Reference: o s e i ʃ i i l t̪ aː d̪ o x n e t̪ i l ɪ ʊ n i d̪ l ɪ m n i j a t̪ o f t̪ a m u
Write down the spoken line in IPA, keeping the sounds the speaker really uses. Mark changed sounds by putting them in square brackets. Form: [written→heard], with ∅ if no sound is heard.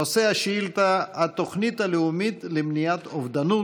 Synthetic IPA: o s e [i→a] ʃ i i l t̪ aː [d̪→t̪] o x n [e→i] t̪ [i→a] l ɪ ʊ [n→m] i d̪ l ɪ m n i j a t̪ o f [t̪→d̪] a [m→n] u